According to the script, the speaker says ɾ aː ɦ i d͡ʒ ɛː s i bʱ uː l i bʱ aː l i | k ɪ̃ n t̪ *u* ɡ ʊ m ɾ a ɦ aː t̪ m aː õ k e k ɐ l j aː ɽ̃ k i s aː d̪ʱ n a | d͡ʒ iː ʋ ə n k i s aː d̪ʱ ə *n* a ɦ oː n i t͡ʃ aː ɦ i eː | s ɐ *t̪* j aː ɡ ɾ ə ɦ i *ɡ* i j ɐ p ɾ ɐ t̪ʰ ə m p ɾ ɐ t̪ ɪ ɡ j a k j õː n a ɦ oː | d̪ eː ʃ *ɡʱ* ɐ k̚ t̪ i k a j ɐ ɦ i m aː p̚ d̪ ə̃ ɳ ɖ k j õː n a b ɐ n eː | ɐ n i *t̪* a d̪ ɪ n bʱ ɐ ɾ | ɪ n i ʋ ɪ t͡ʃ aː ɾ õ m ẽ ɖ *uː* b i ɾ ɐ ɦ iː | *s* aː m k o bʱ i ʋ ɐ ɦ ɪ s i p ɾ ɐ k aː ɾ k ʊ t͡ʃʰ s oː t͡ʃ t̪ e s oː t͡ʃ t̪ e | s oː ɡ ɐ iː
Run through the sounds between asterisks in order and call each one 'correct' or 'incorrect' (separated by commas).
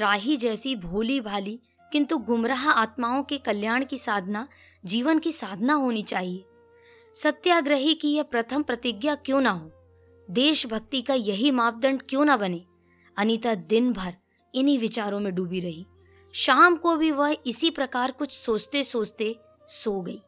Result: correct, correct, correct, incorrect, incorrect, correct, correct, incorrect